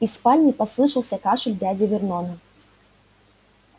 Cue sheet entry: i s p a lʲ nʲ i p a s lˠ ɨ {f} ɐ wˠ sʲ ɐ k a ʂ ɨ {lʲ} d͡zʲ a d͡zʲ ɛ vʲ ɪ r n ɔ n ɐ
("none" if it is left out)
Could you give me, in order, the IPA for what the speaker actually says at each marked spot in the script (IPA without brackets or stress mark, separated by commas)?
ʂ, lʲ